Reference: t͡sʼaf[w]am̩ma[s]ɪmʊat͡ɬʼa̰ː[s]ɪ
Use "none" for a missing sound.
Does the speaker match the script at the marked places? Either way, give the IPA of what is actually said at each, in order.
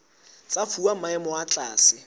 u, none, s

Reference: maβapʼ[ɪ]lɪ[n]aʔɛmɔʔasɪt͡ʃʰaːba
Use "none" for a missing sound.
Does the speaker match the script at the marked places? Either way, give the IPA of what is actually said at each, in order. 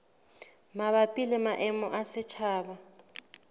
i, m

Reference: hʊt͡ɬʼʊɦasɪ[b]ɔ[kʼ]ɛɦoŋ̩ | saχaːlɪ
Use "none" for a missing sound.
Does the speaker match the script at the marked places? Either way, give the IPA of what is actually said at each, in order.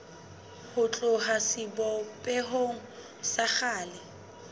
b, pʼ

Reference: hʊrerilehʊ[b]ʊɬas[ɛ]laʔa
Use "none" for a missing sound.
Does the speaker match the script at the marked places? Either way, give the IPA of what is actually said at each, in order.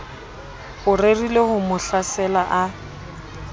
m, ɛ

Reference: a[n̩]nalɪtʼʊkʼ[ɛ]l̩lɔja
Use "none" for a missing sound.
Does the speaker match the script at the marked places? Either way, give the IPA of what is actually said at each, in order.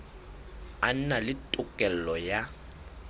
n̩, ɛ

